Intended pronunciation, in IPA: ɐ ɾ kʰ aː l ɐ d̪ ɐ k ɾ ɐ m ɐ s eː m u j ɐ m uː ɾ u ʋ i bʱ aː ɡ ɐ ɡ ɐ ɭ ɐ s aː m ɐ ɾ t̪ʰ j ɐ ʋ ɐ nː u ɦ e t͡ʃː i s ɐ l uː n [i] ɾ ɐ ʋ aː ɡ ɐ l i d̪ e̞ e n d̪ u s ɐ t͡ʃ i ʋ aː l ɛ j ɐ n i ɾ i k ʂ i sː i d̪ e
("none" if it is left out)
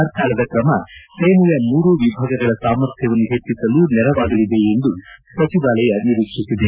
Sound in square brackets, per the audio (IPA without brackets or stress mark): ɛ